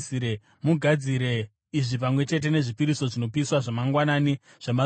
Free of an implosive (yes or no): yes